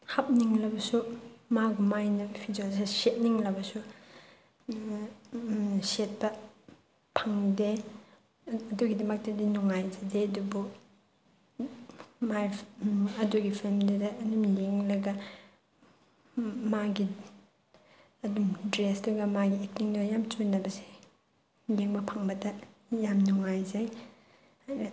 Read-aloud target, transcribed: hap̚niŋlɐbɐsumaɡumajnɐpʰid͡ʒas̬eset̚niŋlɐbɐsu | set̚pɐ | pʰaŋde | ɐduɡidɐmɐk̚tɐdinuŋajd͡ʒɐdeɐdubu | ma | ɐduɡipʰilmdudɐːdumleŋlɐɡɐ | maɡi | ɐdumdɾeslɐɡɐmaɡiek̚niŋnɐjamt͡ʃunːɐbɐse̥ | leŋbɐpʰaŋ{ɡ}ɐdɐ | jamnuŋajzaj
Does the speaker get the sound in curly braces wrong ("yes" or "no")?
yes